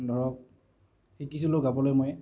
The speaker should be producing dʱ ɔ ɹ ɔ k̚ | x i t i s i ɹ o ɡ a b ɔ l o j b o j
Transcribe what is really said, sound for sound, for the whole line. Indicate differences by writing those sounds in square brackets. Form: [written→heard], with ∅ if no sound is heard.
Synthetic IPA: dʱ ɔ ɹ ɔ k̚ | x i [t→k] i s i [ɹ→l] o ɡ a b ɔ l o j [b→m] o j